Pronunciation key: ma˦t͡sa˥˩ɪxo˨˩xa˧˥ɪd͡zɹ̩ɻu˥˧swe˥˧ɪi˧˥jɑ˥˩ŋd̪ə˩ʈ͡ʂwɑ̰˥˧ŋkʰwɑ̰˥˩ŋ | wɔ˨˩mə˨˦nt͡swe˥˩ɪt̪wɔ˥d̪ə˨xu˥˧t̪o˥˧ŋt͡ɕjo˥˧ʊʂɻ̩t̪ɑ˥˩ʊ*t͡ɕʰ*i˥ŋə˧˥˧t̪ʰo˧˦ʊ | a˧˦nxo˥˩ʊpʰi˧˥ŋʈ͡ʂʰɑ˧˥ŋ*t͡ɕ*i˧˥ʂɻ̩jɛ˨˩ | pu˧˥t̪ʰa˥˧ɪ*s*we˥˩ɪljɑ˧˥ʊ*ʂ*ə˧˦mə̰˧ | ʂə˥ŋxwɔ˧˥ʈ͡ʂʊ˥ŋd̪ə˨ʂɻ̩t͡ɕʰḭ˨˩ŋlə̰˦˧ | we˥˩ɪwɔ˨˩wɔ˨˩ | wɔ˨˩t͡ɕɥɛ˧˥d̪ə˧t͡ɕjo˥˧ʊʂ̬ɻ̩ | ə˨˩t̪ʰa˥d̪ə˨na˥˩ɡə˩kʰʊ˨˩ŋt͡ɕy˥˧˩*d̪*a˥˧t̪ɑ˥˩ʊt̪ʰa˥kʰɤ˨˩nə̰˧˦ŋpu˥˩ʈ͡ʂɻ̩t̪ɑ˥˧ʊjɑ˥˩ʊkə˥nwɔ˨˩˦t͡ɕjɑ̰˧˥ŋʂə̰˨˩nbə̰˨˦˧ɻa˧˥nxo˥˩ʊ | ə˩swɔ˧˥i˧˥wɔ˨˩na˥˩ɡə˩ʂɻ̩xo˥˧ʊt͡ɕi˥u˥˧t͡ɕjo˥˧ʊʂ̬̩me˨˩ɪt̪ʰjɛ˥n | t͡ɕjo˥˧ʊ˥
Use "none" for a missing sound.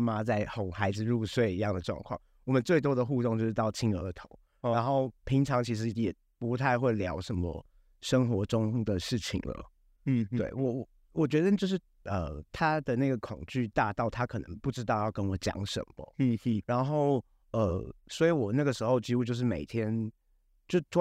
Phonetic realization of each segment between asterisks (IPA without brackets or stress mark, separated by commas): t͡ɕʰ, t͡ɕʰ, x, ʂ, t̪